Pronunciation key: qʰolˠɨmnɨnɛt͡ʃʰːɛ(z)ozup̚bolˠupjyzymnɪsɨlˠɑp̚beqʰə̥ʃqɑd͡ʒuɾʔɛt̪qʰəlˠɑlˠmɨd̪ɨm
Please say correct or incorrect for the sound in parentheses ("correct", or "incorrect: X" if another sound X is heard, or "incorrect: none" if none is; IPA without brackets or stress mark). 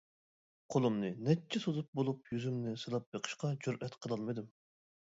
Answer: incorrect: s